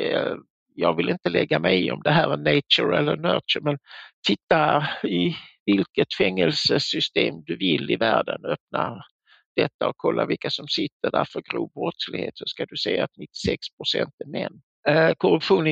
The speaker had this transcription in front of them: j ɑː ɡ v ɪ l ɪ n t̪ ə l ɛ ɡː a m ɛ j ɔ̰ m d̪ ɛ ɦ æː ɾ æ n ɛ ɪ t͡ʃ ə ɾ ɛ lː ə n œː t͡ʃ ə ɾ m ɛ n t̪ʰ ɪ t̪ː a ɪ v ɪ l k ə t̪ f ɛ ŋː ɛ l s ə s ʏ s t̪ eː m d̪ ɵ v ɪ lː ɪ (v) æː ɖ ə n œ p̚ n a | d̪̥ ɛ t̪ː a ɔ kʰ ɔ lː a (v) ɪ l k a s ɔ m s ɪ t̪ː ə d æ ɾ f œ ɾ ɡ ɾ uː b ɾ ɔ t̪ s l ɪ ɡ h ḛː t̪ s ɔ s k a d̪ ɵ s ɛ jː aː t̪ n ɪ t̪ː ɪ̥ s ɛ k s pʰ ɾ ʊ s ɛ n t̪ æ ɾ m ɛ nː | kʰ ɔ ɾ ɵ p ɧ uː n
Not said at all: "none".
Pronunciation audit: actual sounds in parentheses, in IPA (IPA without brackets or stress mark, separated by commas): v, v